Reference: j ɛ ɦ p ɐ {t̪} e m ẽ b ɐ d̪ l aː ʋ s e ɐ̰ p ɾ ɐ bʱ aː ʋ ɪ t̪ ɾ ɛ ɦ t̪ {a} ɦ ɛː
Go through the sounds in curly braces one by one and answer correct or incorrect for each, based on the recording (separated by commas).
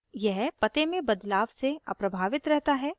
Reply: correct, correct